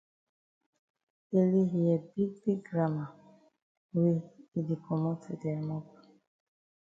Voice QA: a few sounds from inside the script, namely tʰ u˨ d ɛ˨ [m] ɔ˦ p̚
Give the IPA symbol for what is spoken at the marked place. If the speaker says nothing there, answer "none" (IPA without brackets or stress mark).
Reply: m